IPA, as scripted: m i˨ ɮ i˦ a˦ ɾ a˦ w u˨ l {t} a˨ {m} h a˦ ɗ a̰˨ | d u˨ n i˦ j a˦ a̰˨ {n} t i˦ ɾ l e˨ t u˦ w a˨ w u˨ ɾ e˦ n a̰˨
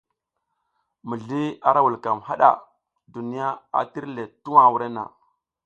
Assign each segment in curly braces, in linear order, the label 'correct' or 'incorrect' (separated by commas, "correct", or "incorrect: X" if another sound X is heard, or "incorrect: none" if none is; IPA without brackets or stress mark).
incorrect: k, correct, incorrect: none